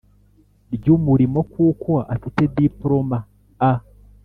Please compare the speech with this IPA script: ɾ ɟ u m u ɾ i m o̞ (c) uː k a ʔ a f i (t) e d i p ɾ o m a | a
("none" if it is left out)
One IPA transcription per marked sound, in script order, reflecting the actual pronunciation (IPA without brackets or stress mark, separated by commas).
k, t